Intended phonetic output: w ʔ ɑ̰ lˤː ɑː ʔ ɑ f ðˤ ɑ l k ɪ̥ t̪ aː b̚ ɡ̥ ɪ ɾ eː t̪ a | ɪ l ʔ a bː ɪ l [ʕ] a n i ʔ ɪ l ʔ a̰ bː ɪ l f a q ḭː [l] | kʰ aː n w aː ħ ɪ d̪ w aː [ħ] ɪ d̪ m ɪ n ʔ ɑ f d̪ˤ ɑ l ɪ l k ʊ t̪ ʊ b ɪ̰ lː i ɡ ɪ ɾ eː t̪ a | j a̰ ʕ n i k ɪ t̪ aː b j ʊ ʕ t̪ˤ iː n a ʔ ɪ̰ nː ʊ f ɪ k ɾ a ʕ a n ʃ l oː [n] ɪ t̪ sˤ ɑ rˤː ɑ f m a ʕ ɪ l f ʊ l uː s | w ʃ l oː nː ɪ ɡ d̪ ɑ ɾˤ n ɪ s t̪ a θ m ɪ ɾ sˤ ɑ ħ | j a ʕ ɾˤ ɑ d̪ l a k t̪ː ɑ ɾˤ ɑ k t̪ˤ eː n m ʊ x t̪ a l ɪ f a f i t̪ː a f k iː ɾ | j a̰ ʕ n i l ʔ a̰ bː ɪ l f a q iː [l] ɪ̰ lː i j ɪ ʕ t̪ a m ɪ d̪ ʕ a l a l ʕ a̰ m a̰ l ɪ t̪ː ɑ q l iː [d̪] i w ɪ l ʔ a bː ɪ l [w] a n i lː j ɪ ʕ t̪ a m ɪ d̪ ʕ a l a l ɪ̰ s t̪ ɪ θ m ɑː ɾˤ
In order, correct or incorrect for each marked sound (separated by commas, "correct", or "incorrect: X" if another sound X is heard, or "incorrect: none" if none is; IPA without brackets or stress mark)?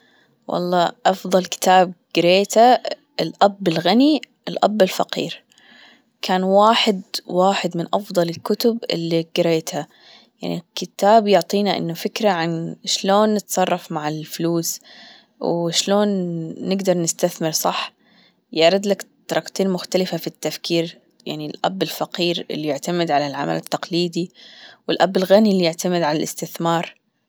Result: incorrect: ɣ, incorrect: ɾ, correct, incorrect: nː, incorrect: ɾ, correct, incorrect: ɣ